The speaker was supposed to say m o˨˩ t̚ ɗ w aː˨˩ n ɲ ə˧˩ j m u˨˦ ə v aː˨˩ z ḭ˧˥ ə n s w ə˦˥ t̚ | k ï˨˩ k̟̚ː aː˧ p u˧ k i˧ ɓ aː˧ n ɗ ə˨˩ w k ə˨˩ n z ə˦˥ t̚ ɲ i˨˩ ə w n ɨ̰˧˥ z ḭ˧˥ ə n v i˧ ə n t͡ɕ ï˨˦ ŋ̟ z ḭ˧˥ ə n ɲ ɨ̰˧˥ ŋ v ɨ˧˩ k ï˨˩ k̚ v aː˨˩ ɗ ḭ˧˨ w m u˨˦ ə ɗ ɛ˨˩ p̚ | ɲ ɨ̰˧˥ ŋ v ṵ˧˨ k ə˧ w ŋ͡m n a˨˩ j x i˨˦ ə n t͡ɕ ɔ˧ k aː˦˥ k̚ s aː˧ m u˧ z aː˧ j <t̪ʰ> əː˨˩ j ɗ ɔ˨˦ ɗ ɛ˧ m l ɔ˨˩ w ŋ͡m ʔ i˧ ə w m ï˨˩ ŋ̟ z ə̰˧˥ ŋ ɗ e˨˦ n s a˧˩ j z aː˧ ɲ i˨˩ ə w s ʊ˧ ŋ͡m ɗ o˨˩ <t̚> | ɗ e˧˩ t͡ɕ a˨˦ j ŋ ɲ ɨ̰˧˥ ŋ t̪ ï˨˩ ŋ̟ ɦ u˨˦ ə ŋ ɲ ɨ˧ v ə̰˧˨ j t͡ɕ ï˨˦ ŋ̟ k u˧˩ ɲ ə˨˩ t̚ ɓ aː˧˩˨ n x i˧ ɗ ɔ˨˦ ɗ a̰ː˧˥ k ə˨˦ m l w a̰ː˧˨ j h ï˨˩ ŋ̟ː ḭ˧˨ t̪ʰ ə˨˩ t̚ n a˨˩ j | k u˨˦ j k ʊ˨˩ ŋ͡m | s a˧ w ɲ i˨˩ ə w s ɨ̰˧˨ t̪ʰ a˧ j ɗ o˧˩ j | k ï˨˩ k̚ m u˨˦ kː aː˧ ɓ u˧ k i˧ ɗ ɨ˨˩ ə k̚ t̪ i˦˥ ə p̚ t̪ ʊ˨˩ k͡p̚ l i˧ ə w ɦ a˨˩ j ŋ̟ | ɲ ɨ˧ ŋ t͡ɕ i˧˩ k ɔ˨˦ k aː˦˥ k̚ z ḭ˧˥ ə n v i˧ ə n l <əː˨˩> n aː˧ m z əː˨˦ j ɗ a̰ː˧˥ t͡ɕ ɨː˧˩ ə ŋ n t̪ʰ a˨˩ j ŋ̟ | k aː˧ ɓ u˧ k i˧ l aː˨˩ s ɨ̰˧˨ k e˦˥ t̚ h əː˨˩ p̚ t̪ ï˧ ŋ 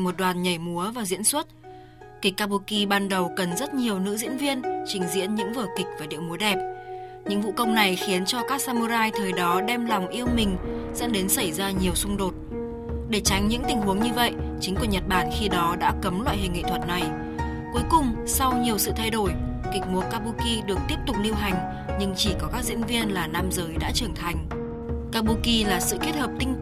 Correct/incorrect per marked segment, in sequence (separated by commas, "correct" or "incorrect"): correct, correct, incorrect